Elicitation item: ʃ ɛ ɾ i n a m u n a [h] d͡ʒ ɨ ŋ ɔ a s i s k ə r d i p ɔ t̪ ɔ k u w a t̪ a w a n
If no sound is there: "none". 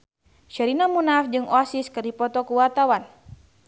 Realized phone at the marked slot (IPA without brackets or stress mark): f